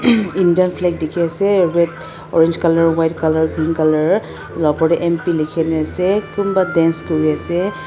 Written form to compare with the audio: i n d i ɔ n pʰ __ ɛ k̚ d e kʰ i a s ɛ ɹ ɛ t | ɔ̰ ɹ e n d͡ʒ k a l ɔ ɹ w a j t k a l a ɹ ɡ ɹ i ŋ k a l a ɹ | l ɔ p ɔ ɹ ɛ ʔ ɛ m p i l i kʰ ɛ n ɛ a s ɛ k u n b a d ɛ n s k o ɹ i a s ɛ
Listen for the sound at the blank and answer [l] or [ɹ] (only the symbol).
l